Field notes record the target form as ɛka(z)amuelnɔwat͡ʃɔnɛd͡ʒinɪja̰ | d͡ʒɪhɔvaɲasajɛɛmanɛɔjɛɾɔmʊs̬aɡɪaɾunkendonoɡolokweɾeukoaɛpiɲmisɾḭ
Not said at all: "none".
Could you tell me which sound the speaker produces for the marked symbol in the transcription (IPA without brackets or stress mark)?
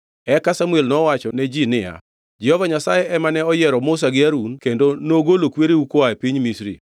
s